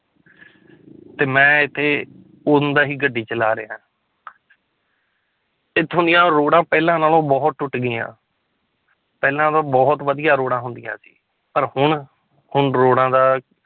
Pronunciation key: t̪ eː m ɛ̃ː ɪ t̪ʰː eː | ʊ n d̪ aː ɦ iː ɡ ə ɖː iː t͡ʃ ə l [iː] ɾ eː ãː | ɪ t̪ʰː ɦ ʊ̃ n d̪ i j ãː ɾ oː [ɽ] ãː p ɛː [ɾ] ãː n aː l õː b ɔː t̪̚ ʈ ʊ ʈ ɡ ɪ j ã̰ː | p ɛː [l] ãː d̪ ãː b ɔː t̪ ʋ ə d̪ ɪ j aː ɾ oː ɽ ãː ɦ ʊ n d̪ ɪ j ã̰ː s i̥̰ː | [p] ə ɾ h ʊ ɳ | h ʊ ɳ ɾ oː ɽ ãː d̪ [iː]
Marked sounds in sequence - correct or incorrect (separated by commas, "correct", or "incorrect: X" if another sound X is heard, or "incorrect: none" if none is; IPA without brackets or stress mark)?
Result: incorrect: aː, correct, incorrect: l, correct, correct, incorrect: aː